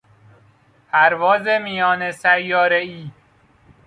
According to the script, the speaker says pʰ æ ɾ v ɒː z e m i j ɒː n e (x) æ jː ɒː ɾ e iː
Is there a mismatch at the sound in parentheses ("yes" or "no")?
yes